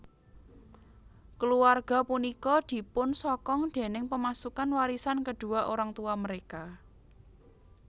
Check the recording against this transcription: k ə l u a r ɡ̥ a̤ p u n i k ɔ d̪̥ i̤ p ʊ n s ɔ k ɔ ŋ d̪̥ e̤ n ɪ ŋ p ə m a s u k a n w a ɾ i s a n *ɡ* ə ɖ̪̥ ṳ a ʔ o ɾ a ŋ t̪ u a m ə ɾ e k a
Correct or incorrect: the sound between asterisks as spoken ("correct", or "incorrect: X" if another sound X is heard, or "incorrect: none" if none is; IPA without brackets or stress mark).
incorrect: k